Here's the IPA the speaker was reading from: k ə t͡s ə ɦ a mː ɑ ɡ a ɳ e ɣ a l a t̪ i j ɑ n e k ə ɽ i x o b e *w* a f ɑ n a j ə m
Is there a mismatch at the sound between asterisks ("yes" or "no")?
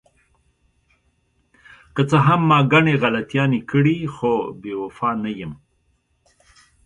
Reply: no